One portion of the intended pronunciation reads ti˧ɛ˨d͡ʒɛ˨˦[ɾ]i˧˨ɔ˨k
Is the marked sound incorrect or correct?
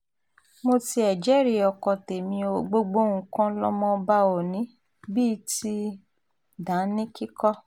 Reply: correct